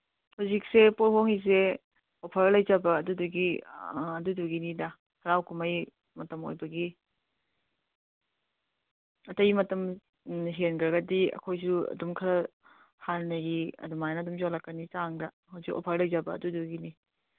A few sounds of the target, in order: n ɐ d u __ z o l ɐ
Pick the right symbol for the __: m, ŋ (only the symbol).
m